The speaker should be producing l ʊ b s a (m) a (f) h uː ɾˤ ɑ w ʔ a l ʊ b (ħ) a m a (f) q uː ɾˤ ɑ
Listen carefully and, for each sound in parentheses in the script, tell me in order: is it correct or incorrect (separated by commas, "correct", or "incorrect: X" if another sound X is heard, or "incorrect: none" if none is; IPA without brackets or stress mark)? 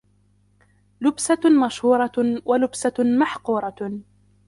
correct, incorrect: ʃ, incorrect: s, incorrect: ħ